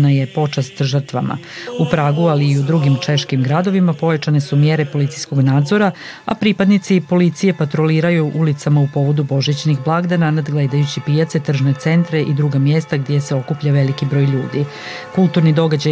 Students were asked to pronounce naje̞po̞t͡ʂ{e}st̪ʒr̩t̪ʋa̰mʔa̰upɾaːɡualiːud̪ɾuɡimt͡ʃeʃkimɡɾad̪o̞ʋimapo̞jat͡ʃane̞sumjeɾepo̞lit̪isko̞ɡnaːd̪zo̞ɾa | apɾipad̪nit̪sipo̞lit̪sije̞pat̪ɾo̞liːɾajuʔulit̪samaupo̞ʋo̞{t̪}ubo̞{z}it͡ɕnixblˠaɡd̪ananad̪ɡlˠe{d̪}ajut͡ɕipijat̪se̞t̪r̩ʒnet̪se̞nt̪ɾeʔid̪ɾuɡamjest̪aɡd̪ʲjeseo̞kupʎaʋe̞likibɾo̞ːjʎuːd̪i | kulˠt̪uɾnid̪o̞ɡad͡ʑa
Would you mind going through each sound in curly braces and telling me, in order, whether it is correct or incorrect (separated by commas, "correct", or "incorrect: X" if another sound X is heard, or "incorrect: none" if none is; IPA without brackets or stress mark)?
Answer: incorrect: a, incorrect: d̪, incorrect: ʒ, correct